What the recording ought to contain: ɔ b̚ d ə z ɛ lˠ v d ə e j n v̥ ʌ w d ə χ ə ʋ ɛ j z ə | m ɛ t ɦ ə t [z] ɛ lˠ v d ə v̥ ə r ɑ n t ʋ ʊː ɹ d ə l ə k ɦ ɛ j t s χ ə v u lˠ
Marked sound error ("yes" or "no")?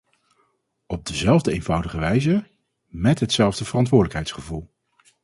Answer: yes